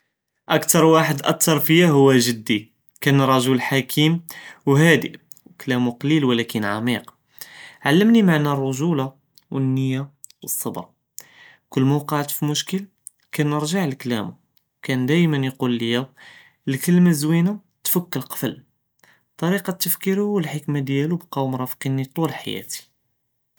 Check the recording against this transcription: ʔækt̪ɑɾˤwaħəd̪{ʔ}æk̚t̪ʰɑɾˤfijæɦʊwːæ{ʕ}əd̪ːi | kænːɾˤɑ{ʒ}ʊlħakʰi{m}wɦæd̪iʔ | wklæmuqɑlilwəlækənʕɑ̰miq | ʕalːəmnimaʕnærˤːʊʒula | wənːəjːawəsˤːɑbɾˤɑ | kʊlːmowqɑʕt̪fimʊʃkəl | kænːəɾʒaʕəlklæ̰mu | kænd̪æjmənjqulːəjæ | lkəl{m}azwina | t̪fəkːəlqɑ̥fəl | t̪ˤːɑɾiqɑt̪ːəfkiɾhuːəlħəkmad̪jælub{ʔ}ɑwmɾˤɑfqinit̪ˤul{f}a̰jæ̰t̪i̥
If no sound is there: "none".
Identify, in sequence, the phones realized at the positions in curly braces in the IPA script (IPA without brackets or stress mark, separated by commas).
ʔ, ʒ, ʒ, m, m, q, ħ